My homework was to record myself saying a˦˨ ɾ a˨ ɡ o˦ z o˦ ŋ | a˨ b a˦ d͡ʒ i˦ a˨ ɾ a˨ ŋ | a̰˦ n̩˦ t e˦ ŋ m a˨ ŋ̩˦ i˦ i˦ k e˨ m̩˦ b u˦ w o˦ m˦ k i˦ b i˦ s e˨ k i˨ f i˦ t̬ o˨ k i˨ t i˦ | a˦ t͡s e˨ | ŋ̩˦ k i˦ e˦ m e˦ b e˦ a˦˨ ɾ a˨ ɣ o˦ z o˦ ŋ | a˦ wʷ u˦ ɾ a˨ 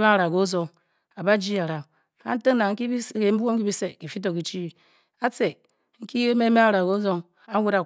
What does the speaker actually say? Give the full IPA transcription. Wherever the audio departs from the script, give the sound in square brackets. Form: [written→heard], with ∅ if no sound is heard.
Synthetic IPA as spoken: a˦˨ ɾ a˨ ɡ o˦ z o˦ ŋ | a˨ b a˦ d͡ʒ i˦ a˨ ɾ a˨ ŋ | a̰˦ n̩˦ t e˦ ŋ [m→n] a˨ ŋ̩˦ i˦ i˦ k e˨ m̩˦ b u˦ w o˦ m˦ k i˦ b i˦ s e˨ k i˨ f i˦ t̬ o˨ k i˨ [t→t͡ʃ] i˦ | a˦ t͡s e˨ | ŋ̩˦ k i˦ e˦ m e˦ [b→m] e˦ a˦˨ ɾ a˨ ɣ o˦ z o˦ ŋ | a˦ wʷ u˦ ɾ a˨